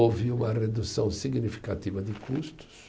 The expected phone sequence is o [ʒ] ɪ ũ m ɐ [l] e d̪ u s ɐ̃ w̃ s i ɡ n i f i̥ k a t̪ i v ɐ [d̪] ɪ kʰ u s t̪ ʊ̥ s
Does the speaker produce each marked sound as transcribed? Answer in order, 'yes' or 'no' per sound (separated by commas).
no, no, yes